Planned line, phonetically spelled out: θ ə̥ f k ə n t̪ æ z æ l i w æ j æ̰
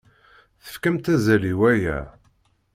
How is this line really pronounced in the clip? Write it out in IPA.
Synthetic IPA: θ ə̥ f k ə m t̪ æ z æ l i w æ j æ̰